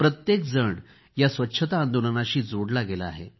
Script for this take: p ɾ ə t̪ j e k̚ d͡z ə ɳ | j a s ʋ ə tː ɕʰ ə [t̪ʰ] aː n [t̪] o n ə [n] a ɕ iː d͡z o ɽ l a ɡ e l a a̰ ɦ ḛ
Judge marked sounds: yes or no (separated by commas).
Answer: no, no, yes